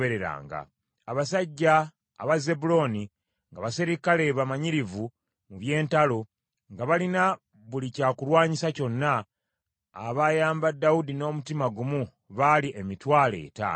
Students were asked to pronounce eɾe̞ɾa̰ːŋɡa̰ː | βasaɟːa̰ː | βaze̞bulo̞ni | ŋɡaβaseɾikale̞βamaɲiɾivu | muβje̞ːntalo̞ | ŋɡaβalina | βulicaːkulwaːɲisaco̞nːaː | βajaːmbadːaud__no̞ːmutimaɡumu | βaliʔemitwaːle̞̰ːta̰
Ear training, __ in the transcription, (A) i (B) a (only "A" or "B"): A